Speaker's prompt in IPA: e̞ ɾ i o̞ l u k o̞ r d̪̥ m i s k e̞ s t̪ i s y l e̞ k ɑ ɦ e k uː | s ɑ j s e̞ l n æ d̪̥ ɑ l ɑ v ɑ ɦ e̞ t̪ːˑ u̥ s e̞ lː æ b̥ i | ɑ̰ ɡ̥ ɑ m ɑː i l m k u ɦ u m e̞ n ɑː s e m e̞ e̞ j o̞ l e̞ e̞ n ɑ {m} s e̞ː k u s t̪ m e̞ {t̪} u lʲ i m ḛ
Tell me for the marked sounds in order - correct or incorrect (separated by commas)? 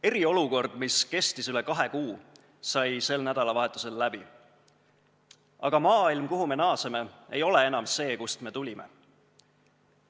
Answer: correct, correct